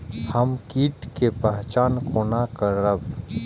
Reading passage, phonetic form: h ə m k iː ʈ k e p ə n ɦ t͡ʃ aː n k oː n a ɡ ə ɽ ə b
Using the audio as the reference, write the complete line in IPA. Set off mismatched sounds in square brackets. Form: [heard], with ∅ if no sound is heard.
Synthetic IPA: h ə m k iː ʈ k e p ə [∅] ɦ t͡ʃ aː n k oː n a [k] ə [ɾ] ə b